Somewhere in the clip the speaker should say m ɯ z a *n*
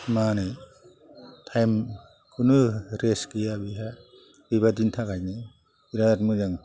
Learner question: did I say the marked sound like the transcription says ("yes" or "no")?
no